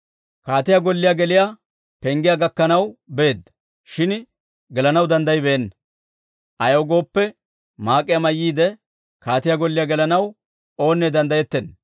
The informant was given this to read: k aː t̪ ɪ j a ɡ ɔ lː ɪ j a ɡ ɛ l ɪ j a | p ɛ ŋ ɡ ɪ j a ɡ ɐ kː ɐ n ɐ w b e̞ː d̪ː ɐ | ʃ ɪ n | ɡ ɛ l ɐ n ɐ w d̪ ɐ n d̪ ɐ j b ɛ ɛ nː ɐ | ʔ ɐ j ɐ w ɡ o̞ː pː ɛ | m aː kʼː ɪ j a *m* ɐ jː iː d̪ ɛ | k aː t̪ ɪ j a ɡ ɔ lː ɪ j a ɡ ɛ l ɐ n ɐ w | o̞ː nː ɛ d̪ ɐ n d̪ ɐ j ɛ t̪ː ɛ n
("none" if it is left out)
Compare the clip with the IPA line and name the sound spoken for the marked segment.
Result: m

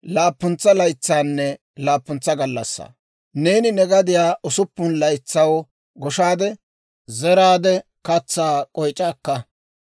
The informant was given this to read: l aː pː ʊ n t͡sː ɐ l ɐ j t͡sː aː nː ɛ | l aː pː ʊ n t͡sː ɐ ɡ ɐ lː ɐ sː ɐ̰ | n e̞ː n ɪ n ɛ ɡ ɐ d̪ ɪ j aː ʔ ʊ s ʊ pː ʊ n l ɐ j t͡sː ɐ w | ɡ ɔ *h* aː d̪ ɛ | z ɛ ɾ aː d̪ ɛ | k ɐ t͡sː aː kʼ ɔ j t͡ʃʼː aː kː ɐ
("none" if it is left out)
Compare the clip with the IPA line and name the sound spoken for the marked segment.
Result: ʃ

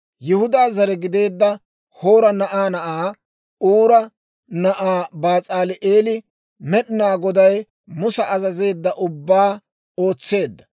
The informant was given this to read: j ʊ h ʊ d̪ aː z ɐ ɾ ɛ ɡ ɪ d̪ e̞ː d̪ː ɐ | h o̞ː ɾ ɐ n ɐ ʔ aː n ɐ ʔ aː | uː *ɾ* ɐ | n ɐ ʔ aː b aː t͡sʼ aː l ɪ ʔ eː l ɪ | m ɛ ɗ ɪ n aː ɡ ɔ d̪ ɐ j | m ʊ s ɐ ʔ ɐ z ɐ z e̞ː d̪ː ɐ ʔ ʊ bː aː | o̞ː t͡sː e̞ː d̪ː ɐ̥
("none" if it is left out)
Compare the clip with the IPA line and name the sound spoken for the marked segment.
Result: ɾ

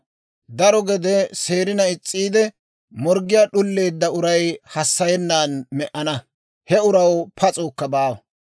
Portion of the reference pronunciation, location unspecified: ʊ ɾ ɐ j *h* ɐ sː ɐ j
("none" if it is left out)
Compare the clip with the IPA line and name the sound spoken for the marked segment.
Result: h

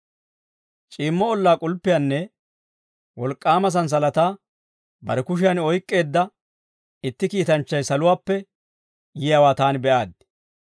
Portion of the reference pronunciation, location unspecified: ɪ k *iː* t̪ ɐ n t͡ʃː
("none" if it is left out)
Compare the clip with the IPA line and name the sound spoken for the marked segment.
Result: iː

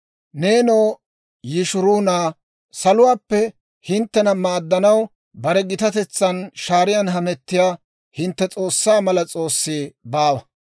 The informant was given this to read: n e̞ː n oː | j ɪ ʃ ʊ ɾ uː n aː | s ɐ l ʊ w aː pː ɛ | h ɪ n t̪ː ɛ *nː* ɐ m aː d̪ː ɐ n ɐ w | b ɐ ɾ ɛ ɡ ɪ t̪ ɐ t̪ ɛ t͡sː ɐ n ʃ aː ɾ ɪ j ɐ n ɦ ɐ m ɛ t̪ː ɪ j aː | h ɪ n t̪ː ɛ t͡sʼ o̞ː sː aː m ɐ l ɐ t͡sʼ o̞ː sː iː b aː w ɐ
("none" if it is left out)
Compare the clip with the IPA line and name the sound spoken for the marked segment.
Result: n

